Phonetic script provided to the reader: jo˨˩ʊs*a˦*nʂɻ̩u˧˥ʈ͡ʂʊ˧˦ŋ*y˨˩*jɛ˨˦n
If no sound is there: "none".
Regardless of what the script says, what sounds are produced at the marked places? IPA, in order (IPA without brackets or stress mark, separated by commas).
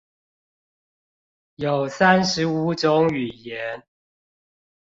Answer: a˦, y˨˩